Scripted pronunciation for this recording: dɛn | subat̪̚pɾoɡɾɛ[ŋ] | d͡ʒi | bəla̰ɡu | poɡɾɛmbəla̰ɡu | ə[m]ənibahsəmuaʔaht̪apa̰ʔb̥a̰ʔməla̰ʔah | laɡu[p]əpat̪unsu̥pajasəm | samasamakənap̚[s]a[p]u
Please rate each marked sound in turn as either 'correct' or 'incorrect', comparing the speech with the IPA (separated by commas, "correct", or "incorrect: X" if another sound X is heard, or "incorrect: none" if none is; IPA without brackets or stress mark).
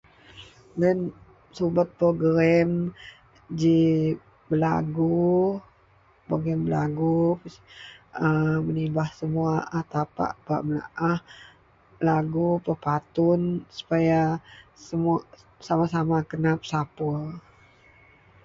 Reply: incorrect: m, correct, correct, correct, correct